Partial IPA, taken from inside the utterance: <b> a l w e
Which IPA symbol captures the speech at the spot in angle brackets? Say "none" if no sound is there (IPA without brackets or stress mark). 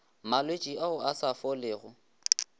m